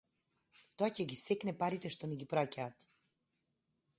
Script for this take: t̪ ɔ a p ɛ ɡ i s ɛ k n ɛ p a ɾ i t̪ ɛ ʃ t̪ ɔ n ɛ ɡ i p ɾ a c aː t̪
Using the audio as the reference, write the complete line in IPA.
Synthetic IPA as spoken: t̪ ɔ a c ɛ ɡ i s ɛ k n ɛ p a ɾ i t̪ ɛ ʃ t̪ ɔ n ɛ ɡ i p ɾ a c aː t̪

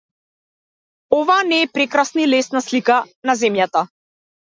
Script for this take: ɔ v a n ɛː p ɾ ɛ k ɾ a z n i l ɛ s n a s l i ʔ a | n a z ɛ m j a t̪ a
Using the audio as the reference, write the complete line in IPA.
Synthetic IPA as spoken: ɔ v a n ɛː p ɾ ɛ k ɾ a s n i l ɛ s n a s l i k a | n a z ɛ m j a t̪ a

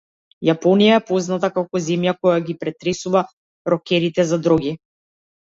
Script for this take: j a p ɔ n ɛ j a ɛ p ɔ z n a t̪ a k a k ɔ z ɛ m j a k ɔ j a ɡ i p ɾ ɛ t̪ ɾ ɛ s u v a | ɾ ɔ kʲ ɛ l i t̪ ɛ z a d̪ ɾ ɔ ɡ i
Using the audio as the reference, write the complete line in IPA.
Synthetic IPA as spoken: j a p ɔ n i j a ɛ p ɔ z n a t̪ a k a k ɔ z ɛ m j a k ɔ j a ɡ i p ɾ ɛ t̪ ɾ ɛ s u v a | ɾ ɔ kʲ ɛ ɾ i t̪ ɛ z a d̪ ɾ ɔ ɡ i

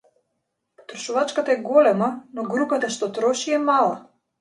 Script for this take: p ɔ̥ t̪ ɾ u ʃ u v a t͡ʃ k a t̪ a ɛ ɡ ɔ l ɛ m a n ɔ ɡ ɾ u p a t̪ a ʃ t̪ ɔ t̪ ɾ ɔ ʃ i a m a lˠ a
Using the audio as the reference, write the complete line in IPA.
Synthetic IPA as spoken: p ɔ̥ t̪ ɾ ɔ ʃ u v a t͡ʃ k a t̪ a ɛ ɡ ɔ l ɛ m a n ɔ ɡ ɾ u p a t̪ a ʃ t̪ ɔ t̪ ɾ ɔ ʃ i ɛ m a lˠ a

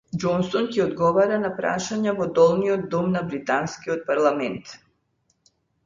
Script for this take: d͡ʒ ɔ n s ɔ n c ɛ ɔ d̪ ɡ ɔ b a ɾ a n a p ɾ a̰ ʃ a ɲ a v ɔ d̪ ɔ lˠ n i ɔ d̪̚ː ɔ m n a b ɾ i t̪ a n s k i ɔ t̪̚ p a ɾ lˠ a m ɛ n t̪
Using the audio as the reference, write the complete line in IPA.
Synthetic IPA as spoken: d͡ʒ ɔ n s ɔ n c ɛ ɔ d̪ ɡ ɔ v a ɾ a n a p ɾ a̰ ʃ a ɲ a v ɔ d̪ ɔ lˠ n i ɔ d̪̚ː ɔ m n a b ɾ i t̪ a n s k i ɔ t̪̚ p a ɾ lˠ a m ɛ n t̪

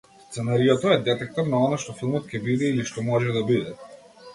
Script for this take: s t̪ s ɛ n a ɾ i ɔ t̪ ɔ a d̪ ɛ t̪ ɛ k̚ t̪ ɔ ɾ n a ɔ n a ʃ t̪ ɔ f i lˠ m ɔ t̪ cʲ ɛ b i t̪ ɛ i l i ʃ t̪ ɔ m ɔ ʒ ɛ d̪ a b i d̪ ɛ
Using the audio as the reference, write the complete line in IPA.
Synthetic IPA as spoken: s t̪ s ɛ n a ɾ i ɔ t̪ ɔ ɛ d̪ ɛ t̪ ɛ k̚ t̪ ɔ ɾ n a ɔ n a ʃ t̪ ɔ f i lˠ m ɔ t̪ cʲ ɛ b i d̪ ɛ i l i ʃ t̪ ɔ m ɔ ʒ ɛ d̪ a b i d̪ ɛ

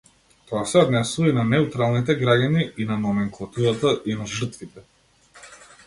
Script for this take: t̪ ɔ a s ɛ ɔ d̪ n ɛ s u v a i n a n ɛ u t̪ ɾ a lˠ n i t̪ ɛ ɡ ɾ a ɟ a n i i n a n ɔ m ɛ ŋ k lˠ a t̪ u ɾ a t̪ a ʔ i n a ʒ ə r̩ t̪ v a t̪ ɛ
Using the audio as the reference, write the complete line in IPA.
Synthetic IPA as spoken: t̪ ɔ a s ɛ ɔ d̪ n ɛ s u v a i n a n ɛ u t̪ ɾ a lˠ n i t̪ ɛ ɡ ɾ a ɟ a n i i n a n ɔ m ɛ ŋ k lˠ a t̪ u ɾ a t̪ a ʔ i n a ʒ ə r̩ t̪ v i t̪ ɛ

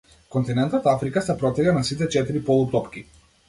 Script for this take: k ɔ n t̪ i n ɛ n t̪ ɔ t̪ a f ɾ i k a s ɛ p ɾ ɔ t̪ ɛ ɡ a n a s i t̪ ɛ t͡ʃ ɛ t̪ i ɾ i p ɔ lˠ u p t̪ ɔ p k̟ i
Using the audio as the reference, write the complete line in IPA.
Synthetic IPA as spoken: k ɔ n t̪ i n ɛ n t̪ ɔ t̪ a f ɾ i k a s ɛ p ɾ ɔ t̪ ɛ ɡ a n a s i t̪ ɛ t͡ʃ ɛ t̪ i ɾ i p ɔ lˠ u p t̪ ɔ p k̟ i

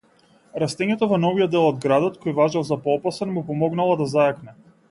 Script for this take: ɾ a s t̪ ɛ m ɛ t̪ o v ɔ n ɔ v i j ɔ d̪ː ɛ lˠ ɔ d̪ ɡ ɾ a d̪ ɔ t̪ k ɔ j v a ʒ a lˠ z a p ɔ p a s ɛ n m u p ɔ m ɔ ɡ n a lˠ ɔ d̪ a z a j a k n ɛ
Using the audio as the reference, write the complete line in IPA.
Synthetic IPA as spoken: ɾ a s t̪ ɛ ɲ ɛ t̪ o v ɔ n ɔ v i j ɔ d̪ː ɛ lˠ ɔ d̪ ɡ ɾ a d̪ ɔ t̪ k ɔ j v a ʒ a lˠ z a p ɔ p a s ɛ n m u p ɔ m ɔ ɡ n a lˠ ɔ d̪ a z a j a k n ɛ

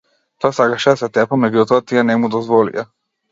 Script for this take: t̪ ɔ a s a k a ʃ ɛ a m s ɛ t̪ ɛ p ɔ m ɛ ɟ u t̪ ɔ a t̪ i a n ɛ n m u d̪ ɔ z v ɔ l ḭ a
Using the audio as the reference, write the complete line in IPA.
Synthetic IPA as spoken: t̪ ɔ a s a k a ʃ ɛ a s ɛ t̪ ɛ p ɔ m ɛ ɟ u t̪ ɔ a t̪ i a n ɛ m u d̪ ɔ z v ɔ l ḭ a

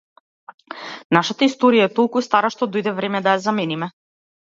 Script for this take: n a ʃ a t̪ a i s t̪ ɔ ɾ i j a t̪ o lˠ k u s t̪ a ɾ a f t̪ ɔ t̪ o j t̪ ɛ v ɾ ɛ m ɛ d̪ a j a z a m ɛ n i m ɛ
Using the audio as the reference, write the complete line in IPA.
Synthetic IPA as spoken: n a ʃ a t̪ a i s t̪ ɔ ɾ i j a t̪ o lˠ k u s t̪ a ɾ a ʃ t̪ ɔ d̪ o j d̪ ɛ v ɾ ɛ m ɛ d̪ a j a z a m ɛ n i m ɛ

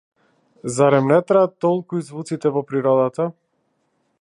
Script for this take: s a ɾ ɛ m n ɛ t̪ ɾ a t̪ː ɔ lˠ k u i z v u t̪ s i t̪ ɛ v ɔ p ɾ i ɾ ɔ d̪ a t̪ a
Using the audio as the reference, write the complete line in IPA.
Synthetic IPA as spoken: z a ɾ ɛ m n ɛ t̪ ɾ a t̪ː ɔ lˠ k u i z v u t̪ s i t̪ ɛ v ɔ p ɾ i ɾ ɔ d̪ a t̪ a

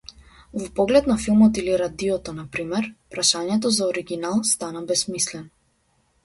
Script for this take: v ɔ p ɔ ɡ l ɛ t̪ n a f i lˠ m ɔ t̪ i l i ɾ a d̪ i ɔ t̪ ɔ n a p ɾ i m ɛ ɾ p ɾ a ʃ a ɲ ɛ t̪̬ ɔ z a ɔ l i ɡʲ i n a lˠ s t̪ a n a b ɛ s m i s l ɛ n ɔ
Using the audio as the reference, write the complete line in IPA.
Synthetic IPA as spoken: v ɔ p ɔ ɡ l ɛ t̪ n a f i lˠ m ɔ t̪ i l i ɾ a d̪ i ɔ t̪ ɔ n a p ɾ i m ɛ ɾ p ɾ a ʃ a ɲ ɛ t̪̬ ɔ z a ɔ ɾ i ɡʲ i n a lˠ s t̪ a n a b ɛ s m i s l ɛ n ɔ

